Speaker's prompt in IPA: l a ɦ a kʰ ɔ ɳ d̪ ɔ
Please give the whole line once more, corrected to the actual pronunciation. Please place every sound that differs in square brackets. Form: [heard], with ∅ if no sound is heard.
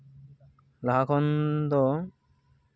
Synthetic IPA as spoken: l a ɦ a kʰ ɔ [n] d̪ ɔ